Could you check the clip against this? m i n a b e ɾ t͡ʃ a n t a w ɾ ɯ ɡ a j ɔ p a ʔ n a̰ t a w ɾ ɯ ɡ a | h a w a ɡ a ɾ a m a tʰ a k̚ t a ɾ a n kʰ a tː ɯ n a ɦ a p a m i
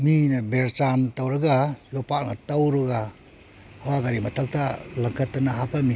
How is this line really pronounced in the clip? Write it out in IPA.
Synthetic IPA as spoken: m i n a b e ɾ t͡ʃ a n t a w ɾ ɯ ɡ a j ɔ p a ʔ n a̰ t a w ɾ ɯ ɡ a | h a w a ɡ a ɾ i m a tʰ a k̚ t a l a ŋ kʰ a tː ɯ n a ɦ a p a m i

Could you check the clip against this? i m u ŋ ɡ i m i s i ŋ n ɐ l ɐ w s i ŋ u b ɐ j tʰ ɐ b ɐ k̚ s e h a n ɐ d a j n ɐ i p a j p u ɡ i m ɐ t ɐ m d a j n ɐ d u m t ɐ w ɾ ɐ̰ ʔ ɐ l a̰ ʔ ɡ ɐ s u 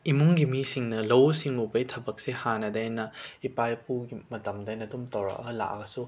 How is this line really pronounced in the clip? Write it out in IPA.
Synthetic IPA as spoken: i m u ŋ ɡ i m i s i ŋ n ɐ l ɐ w s i ŋ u b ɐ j tʰ ɐ b ɐ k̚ s e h a n ɐ d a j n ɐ i p a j p u ɡ i m ɐ t ɐ m d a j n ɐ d u m t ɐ w ɾ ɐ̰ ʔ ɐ l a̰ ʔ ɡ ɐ s u

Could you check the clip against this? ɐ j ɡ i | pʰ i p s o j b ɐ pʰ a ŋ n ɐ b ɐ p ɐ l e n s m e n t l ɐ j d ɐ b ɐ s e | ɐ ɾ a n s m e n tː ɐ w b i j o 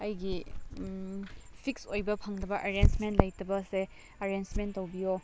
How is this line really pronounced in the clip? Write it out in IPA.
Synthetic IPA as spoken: ɐ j ɡ i | pʰ i k s o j b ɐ pʰ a ŋ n ɐ b ɐ ʔ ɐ ɾ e n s m e n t l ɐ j t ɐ b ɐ s e | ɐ ɾ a n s m e n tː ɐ w b i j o

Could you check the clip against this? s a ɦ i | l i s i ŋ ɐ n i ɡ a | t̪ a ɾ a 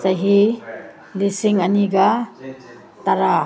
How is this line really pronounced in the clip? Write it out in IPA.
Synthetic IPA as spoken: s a ɦ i | l i s i ŋ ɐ n i ɡ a | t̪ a ɾ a

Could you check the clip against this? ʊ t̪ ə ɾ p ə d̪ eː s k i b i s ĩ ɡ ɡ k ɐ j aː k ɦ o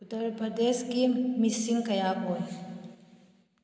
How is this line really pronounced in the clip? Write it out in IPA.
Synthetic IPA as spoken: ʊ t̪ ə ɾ p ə d̪ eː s k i m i s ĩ ŋ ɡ k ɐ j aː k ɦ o

